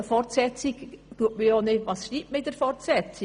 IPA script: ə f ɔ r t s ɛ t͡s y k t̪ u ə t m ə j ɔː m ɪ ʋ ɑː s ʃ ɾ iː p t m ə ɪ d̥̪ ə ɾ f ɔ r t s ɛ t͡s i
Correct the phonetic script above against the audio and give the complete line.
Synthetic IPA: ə f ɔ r t s ɛ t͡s i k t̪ u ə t m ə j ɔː n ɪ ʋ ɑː s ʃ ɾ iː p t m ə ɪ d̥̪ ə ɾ f ɔ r t s ɛ t͡s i